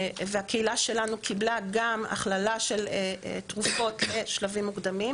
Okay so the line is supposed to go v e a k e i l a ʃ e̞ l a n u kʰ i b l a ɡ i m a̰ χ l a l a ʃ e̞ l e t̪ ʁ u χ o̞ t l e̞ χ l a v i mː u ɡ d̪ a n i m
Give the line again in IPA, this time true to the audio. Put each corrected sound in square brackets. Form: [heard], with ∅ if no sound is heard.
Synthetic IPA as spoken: v e a k e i l a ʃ e̞ l a n u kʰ i b l a ɡ [a] m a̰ χ l a l a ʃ e̞ l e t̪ ʁ u [f] o̞ t l e̞ [ʃ] l a v i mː u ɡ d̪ a [m] i m

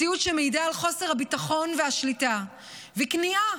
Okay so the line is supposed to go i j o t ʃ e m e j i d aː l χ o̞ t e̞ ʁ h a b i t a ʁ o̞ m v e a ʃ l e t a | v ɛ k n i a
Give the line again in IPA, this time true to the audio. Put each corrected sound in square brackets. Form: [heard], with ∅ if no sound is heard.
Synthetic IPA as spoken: i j [u] t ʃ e m e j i d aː l χ o̞ [s] e̞ ʁ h a b i t a [χ] o̞ [n] v e a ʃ l [i] t a | v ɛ k n i a

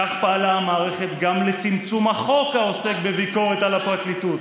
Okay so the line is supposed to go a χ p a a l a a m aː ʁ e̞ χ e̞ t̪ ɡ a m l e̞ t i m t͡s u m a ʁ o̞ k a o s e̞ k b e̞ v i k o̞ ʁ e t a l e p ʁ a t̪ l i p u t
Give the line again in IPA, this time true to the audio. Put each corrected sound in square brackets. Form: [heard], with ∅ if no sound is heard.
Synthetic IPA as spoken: a χ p a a l a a m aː ʁ e̞ χ e̞ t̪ ɡ a m l e̞ [t͡s] i m t͡s u m a [χ] o̞ k a o s e̞ k b e̞ v i k o̞ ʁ e t a l [a] p ʁ a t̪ l i [t] u t

